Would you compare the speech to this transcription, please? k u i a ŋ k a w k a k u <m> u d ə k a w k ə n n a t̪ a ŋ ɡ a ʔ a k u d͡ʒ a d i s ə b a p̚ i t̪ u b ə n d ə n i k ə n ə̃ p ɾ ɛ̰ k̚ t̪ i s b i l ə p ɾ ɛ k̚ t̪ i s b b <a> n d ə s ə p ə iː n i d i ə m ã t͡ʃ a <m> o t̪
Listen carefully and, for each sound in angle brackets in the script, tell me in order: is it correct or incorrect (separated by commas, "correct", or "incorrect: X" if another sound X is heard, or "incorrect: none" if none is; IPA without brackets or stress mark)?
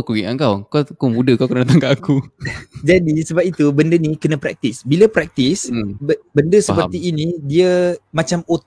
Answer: correct, incorrect: ə, correct